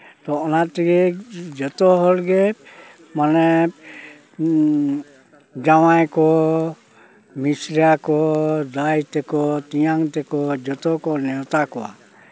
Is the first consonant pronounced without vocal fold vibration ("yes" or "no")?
yes